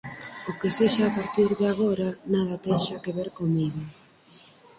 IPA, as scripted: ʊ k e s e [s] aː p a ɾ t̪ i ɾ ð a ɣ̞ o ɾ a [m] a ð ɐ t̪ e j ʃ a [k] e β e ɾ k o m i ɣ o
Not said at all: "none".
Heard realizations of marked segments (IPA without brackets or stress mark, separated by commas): ʃ, n, k